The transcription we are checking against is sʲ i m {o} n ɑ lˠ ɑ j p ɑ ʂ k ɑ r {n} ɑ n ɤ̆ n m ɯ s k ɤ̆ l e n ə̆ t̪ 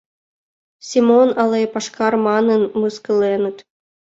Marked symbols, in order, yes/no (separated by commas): yes, no